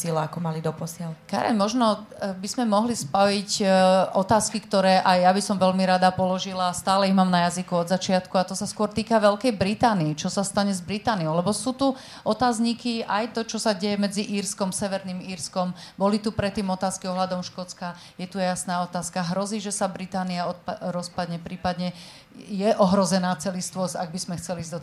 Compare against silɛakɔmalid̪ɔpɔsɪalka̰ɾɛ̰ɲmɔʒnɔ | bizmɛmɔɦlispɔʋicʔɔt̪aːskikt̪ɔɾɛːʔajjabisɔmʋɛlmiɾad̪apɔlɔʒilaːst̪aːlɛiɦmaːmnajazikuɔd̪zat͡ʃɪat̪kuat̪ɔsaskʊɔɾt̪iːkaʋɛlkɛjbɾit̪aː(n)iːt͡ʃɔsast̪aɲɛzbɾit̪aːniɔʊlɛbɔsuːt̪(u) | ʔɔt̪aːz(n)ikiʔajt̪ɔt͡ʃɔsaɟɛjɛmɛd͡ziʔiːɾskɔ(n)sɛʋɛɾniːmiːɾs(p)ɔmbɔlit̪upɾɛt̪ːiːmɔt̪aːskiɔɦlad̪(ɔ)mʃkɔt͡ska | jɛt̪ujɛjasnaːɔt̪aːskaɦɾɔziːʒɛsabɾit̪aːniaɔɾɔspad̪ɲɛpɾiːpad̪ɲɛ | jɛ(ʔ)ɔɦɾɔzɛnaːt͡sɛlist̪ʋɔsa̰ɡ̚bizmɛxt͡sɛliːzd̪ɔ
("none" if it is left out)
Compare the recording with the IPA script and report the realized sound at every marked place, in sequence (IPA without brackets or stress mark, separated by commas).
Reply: n, u, ɲ, m, k, ɔ, ʔ